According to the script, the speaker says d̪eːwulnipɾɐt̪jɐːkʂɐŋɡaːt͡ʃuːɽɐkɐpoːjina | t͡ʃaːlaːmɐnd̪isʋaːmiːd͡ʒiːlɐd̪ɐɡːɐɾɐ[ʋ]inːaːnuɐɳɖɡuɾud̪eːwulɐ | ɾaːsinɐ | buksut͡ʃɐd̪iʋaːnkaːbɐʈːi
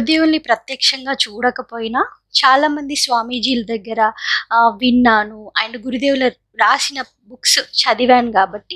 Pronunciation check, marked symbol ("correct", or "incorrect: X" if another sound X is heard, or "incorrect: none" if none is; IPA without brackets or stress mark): correct